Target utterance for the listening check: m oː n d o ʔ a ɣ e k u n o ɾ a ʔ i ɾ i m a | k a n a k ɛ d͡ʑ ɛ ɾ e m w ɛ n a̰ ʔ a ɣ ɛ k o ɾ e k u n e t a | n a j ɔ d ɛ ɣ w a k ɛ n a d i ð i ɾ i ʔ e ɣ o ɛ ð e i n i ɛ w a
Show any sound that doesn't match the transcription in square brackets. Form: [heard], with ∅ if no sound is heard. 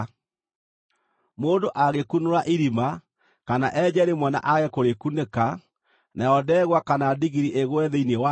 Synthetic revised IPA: m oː n d o ʔ a ɣ e k u n o ɾ a ʔ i ɾ i m a | k a n a [ʔ] ɛ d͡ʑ ɛ ɾ e m w ɛ n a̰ ʔ a ɣ ɛ k o ɾ e k u n e [k] a | n a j ɔ d ɛ ɣ w a k [a] n a d i [ɣ] i ɾ i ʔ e ɣ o ɛ ð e i n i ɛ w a